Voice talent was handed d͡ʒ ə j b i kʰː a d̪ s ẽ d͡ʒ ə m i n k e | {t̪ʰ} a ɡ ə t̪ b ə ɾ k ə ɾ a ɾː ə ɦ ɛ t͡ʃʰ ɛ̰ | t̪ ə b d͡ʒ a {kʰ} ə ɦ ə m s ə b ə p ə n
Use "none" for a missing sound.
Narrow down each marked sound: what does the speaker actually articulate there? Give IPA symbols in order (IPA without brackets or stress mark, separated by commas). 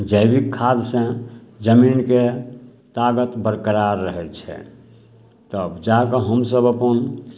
t̪, k